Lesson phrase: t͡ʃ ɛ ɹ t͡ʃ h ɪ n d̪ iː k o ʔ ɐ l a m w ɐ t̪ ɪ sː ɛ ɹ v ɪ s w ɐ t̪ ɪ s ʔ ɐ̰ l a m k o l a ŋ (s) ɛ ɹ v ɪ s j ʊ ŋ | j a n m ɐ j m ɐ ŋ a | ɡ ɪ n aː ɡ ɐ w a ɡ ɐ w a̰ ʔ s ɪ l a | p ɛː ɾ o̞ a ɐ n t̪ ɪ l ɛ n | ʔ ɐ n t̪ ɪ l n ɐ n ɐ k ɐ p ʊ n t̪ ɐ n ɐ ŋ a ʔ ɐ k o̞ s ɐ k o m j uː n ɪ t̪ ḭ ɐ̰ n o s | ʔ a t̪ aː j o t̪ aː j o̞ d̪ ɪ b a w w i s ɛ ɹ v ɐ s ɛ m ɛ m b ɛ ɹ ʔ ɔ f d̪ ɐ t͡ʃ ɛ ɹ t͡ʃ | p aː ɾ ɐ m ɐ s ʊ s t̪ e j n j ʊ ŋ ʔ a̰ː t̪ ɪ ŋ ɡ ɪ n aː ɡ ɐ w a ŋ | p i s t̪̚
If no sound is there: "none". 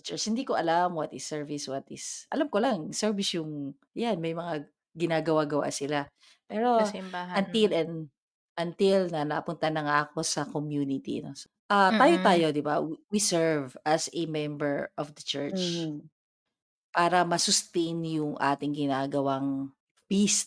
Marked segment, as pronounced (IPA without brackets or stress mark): s